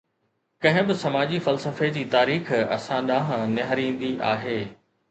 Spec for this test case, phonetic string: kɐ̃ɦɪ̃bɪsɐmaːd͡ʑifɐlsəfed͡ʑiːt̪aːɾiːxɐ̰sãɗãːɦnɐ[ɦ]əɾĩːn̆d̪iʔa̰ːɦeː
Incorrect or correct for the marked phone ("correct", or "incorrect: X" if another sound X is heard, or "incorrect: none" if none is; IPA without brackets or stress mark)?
correct